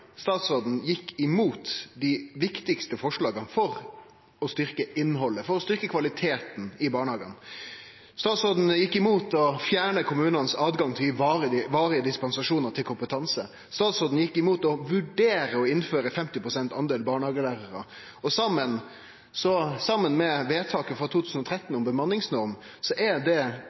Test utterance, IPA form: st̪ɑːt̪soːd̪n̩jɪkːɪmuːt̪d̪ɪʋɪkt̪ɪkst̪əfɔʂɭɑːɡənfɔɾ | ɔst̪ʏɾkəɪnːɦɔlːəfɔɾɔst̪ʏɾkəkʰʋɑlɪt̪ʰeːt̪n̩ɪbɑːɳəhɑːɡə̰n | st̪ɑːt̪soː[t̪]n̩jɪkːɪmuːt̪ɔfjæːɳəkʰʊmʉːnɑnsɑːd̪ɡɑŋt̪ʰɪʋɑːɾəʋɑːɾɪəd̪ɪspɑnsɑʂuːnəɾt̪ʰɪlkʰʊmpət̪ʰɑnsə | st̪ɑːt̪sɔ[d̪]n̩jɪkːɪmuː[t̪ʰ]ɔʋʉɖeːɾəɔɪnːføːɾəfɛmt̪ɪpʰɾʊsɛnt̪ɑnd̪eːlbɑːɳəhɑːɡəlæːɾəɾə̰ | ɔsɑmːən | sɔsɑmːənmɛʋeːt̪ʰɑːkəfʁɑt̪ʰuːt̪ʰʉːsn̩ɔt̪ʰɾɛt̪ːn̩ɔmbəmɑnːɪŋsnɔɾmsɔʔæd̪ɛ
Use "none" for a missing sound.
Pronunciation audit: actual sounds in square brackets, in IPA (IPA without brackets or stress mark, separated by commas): d̪, d̪, t̪